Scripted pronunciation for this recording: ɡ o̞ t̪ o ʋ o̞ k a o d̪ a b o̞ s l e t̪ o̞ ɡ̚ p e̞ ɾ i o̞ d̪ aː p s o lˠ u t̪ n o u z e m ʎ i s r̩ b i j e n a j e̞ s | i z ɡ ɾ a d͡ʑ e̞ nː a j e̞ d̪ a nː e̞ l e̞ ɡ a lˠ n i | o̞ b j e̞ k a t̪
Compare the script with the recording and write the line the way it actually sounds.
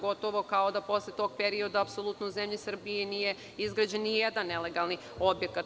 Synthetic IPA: ɡ o̞ t̪ o ʋ o̞ k a o d̪ a p o̞ s l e t̪ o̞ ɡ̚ p e̞ ɾ i o̞ d̪ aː p s o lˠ u t̪ n o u z e m ʎ i s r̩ b i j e n i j e̞ | i z ɡ ɾ a d͡ʑ e̞ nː i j e̞ d̪ a nː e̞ l e̞ ɡ a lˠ n i | o̞ b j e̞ k a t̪

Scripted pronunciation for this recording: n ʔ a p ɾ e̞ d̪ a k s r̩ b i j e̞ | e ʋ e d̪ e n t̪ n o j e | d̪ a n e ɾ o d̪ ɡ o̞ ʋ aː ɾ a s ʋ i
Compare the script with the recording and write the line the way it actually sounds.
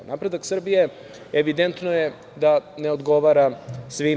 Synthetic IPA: n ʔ a p ɾ e̞ d̪ a k s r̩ b i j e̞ | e ʋ i d̪ e n t̪ n o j e | d̪ a n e o d̪ ɡ o̞ ʋ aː ɾ a s ʋ i

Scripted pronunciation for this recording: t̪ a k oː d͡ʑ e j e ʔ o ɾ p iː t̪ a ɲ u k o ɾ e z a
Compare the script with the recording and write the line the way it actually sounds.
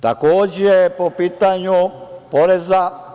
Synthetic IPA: t̪ a k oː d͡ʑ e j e p o p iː t̪ a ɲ u p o ɾ e z a

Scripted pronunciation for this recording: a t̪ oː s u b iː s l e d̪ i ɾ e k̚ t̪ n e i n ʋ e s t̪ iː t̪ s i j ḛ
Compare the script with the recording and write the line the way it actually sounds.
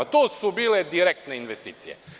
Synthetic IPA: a t̪ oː s u b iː l e d̪ i ɾ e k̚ t̪ n e i n ʋ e s t̪ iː t̪ s i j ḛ

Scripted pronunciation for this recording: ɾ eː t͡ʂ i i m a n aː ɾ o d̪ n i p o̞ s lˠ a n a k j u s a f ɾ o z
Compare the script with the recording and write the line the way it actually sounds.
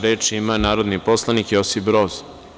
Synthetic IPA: ɾ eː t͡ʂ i i m a n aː ɾ o d̪ n i p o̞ s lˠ a n i k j o s i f ɾ o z

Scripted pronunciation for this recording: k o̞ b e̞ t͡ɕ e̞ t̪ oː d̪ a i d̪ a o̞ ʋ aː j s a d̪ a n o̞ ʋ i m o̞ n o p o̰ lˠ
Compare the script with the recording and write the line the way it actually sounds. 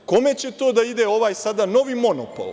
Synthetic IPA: k o̞ m e̞ t͡ɕ e̞ t̪ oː d̪ a i d̪ e o̞ ʋ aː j s a d̪ a n o̞ ʋ i m o̞ n o p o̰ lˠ

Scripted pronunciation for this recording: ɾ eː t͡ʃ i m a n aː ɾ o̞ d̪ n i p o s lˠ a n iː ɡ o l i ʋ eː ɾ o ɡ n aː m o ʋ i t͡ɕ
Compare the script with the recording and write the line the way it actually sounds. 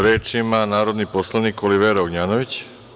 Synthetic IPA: ɾ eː t͡ʃ i m a n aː ɾ o̞ d̪ n i p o s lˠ a n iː k o l i ʋ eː ɾ o ɡ ɲ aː n o ʋ i t͡ɕ

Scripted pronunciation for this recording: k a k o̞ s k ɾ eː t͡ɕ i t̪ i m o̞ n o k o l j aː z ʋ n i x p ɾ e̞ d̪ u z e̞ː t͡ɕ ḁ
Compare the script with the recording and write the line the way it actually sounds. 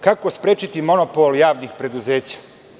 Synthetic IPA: k a k o̞ s p ɾ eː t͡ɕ i t̪ i m o̞ n o p o l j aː ʋ n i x p ɾ e̞ d̪ u z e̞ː t͡ɕ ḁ

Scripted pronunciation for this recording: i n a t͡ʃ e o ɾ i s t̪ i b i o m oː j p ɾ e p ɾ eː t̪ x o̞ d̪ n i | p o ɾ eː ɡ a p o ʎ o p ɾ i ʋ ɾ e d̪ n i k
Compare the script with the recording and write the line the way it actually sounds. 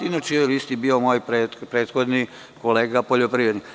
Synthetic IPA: i n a t͡ʃ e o l i s t̪ i b i o m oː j p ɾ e p ɾ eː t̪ x o̞ d̪ n i | k o l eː ɡ a p o ʎ o p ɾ i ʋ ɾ e d̪ n i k

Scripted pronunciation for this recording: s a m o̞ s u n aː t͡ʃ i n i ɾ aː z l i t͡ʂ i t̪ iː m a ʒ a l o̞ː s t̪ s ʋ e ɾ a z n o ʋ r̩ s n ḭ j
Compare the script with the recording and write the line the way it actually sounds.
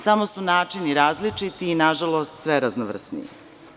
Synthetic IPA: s a m o̞ s u n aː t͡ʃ i n i ɾ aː z l i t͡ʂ i t̪ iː n a ʒ a l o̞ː s t̪ s ʋ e ɾ a z n o ʋ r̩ s n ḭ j

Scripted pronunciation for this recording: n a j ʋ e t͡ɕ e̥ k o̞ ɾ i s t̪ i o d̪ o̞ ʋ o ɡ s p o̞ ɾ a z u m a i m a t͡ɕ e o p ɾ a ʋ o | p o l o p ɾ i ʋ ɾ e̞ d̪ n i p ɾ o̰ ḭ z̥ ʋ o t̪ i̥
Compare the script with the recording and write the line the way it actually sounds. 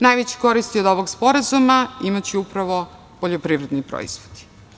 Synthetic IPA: n a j ʋ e t͡ɕ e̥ k o̞ ɾ i s t̪ i o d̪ o̞ ʋ o ɡ s p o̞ ɾ a z u m a i m a t͡ɕ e u p ɾ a ʋ o | p o ʎ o p ɾ i ʋ ɾ e̞ d̪ n i p ɾ o̰ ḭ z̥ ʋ o d̪ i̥

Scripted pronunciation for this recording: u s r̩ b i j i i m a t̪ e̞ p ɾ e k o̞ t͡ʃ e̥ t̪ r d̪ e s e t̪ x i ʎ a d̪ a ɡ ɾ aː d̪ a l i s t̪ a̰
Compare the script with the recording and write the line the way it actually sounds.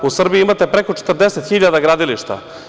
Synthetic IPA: u s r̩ b i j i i m a t̪ e̞ p ɾ e k o̞ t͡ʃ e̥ t̪ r d̪ e s e t̪ x i ʎ a d̪ a ɡ ɾ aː d̪ i l i ʃ t̪ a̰

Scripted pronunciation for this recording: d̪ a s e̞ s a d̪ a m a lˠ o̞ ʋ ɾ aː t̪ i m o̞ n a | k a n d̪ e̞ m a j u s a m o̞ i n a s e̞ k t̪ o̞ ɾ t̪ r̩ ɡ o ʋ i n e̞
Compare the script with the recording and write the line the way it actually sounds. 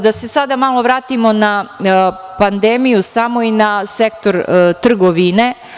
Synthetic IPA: d̪ a s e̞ s a d̪ a m a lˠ o̞ ʋ ɾ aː t̪ i m o̞ n a | p a n d̪ e̞ m i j u s a m o̞ i n a s e̞ k t̪ o̞ ɾ t̪ r̩ ɡ o ʋ i n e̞

